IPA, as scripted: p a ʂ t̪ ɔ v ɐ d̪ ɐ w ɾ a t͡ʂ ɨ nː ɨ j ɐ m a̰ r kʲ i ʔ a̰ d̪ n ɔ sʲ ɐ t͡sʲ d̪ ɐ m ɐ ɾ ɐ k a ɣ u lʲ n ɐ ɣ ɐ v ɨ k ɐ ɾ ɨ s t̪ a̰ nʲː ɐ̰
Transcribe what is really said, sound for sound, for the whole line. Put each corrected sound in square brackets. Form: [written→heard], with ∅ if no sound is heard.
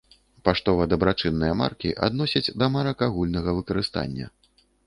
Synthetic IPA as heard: p a ʂ t̪ ɔ v ɐ d̪ ɐ [w→b] ɾ a t͡ʂ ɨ nː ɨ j ɐ m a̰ r kʲ i ʔ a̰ d̪ n ɔ sʲ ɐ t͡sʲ d̪ ɐ m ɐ ɾ ɐ k a ɣ u lʲ n ɐ ɣ ɐ v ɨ k ɐ ɾ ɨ s t̪ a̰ nʲː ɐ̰